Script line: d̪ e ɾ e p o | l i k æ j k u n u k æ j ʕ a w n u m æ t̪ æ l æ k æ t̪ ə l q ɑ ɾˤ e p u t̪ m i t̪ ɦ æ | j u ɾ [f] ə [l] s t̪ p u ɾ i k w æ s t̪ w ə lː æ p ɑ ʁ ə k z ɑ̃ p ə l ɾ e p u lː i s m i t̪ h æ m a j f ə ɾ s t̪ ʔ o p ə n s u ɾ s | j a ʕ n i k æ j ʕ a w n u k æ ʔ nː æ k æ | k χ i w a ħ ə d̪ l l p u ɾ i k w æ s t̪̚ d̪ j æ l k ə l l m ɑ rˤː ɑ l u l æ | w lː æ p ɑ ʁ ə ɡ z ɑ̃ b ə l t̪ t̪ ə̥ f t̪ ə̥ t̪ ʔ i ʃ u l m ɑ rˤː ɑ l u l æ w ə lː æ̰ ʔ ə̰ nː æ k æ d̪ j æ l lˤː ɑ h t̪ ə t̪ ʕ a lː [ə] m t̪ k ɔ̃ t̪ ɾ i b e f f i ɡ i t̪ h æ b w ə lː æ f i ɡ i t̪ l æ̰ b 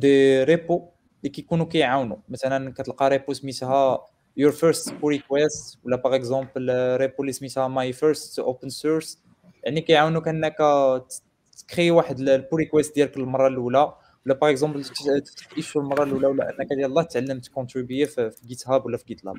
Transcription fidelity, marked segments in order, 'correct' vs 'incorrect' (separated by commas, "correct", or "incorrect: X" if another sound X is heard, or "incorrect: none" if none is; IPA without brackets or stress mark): correct, incorrect: ɾ, correct